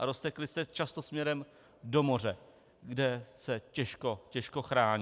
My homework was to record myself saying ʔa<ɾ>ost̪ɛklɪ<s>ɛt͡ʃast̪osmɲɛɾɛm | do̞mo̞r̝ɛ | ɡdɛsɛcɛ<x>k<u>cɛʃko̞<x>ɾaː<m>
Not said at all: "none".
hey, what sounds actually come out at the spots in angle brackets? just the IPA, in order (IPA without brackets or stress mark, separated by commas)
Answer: ɾ, s, ʃ, o, x, ɲ